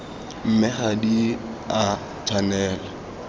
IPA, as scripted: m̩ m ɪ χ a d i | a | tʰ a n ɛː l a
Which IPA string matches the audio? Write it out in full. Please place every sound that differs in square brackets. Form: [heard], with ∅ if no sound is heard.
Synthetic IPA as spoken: m̩ m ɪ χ a d i | a | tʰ a n ɛː l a